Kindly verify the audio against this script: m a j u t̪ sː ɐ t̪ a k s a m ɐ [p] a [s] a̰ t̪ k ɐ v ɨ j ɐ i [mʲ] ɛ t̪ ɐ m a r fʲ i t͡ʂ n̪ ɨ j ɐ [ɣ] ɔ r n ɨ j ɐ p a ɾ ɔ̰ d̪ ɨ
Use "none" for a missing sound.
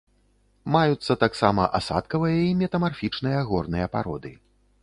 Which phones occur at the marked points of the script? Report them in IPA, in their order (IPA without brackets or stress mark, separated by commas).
ʔ, s, mʲ, ɣ